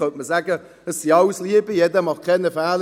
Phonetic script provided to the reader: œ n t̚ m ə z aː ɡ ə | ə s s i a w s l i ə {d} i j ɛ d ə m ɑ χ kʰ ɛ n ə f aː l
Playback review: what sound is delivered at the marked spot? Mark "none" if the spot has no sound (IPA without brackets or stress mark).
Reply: b